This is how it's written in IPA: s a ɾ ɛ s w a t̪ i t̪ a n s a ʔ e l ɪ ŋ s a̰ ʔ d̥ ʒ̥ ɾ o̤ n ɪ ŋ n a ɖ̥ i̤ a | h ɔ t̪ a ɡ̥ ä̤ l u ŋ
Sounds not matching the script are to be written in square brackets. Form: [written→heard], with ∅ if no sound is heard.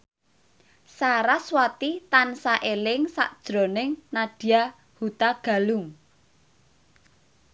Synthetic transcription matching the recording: s a ɾ [ɛ→a] s w a t̪ i t̪ a n s a ʔ e l ɪ ŋ s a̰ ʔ d̥ ʒ̥ ɾ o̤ n ɪ ŋ n a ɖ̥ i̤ a | h [ɔ→u] t̪ a ɡ̥ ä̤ l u ŋ